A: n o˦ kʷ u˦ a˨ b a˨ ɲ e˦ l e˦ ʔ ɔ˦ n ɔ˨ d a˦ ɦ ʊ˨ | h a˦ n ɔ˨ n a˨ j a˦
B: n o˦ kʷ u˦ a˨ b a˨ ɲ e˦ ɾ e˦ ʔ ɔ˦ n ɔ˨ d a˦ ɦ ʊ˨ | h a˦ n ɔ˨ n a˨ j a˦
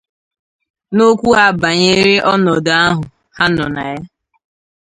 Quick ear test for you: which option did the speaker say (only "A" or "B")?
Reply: B